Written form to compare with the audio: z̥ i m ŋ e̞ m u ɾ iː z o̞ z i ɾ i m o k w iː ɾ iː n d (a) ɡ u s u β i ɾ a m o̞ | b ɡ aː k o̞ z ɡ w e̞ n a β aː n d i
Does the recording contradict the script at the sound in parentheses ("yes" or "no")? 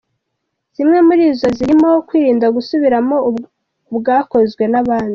no